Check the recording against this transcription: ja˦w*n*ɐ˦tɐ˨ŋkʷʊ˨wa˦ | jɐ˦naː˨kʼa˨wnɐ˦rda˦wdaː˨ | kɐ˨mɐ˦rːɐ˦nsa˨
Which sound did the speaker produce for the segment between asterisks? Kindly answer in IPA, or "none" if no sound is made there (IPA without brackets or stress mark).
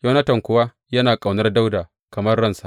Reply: n